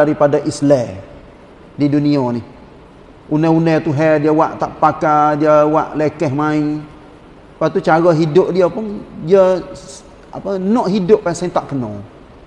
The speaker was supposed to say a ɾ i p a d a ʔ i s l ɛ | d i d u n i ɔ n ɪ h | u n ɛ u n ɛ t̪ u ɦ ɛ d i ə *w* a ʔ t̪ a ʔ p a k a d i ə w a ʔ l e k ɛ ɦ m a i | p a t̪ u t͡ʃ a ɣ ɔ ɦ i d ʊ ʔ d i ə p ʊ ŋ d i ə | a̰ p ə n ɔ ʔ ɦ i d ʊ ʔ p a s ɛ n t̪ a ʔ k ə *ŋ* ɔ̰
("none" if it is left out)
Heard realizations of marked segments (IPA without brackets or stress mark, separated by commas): w, n